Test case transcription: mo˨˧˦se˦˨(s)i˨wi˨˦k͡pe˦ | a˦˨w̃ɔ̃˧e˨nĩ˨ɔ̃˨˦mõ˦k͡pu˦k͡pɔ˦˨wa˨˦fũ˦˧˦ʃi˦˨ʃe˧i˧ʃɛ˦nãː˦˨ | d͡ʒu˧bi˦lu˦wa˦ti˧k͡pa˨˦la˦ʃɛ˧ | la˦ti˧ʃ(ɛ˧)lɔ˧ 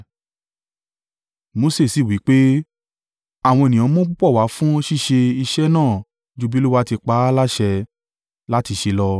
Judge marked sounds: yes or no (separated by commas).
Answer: yes, no